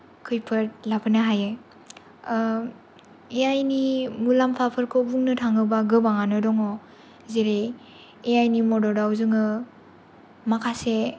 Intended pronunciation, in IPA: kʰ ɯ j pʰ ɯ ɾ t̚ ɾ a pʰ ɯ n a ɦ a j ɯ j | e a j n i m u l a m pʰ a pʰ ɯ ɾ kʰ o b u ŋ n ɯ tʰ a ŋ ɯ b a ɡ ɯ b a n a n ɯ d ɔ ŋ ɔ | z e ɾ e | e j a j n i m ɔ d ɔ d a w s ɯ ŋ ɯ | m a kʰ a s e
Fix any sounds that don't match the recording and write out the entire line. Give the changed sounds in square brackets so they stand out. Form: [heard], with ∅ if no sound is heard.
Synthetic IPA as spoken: kʰ ɯ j pʰ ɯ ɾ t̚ [l] a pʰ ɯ n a ɦ a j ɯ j | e a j n i m u l a m pʰ a pʰ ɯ ɾ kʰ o b u ŋ n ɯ tʰ a ŋ ɯ b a ɡ ɯ b a [ŋ] a n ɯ d ɔ ŋ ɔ | z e ɾ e | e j a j n i m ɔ d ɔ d a w [z] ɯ ŋ ɯ | m a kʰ a s e